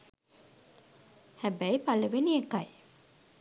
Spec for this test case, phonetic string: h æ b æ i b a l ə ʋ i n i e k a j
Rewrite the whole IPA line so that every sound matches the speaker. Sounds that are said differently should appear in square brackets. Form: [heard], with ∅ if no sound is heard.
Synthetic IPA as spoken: h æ b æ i [p] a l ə ʋ [e] n i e k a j